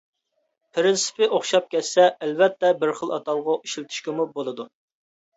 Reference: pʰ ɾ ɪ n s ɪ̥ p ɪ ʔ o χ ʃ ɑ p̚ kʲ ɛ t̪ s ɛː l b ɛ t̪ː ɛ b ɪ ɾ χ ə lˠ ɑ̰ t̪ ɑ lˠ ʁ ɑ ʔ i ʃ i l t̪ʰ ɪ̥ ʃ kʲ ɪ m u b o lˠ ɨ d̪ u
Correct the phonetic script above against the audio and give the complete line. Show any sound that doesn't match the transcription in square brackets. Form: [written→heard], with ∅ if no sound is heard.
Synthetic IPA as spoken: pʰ ɾ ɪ n s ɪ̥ p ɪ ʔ o χ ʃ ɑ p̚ kʲ ɛ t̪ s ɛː l [b→v] ɛ t̪ː ɛ b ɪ ɾ χ ə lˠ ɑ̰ t̪ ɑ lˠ ʁ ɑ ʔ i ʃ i l t̪ʰ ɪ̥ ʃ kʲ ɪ m u b o lˠ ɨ d̪ u